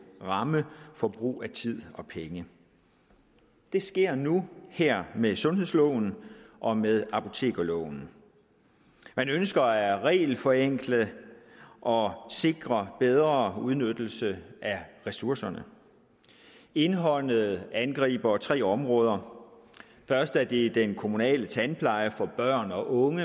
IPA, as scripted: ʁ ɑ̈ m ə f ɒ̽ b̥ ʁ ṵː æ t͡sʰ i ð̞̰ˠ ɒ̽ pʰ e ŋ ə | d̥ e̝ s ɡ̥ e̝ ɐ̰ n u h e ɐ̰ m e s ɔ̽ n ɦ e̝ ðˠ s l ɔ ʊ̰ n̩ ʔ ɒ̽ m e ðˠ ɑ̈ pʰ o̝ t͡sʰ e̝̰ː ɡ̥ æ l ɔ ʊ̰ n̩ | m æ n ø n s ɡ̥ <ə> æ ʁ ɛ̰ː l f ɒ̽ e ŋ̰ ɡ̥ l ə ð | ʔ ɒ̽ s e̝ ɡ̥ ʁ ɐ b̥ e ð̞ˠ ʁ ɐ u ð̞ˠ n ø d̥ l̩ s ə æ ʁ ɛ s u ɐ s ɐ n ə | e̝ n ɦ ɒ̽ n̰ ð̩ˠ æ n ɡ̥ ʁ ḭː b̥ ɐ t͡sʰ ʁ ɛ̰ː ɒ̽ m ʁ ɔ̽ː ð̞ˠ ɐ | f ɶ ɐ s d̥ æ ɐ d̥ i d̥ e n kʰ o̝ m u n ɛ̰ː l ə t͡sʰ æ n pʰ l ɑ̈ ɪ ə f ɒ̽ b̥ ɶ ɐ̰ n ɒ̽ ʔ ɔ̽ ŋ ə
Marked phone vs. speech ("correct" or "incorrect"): incorrect